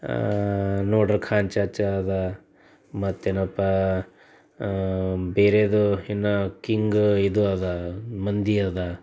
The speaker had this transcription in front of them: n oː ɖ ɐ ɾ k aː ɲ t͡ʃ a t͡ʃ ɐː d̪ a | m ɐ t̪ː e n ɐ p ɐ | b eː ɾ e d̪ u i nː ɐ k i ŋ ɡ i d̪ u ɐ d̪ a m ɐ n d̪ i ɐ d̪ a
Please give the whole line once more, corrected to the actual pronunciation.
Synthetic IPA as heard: n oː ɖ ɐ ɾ kʰ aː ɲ t͡ʃ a t͡ʃ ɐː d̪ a | m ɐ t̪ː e n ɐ p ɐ | b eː ɾ e d̪ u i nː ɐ k i ŋ ɡ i d̪ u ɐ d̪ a m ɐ n d̪ i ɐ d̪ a